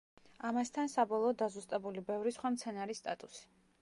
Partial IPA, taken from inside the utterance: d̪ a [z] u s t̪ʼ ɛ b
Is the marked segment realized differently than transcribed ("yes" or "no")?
no